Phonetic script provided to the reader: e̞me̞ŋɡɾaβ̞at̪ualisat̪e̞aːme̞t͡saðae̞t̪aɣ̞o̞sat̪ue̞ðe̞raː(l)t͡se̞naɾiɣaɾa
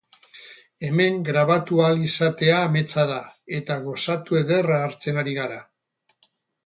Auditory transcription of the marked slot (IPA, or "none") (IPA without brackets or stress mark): ɾ